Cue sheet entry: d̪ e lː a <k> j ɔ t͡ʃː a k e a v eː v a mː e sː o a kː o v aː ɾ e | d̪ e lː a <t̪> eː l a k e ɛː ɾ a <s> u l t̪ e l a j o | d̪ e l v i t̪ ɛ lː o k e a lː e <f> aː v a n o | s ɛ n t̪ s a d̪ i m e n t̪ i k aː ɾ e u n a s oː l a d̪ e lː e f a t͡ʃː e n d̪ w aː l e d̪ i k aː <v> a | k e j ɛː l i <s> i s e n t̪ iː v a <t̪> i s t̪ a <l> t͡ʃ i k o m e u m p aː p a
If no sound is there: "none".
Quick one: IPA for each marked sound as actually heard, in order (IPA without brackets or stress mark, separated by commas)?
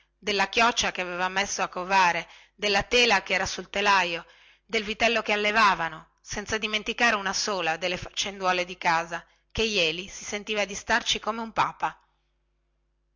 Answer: k, t̪, s, v, z, s, d̪, r